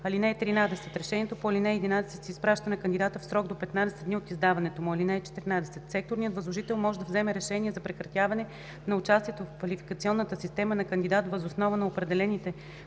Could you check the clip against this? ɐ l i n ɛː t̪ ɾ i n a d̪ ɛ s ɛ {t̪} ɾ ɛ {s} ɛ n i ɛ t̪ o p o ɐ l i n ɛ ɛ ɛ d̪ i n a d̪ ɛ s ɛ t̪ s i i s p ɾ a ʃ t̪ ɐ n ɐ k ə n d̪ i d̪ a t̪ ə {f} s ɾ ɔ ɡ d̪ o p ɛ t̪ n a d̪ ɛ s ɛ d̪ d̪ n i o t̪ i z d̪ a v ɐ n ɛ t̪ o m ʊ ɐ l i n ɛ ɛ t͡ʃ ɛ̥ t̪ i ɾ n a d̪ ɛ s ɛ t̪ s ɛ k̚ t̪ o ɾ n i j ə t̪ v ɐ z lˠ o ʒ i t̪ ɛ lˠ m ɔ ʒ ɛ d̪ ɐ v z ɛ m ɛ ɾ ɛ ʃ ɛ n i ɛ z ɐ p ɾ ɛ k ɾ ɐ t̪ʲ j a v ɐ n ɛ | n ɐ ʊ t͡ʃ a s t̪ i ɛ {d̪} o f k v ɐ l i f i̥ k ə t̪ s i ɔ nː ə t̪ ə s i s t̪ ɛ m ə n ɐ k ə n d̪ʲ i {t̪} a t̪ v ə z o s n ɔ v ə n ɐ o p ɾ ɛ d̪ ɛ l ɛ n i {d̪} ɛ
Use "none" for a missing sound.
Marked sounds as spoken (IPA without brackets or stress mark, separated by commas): t̪, ʃ, f, t̪, d̪, t̪